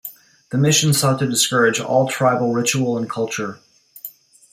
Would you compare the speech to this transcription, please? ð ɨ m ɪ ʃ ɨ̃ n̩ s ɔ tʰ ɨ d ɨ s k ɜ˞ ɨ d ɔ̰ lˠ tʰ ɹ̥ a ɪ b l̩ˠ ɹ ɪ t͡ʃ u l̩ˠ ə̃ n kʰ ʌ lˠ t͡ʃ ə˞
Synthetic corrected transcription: ð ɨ m ɪ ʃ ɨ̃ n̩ s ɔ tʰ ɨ d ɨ s k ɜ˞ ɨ d͡ʒ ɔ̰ lˠ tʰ ɹ̥ a ɪ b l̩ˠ ɹ ɪ t͡ʃ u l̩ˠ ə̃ n kʰ ʌ lˠ t͡ʃ ə˞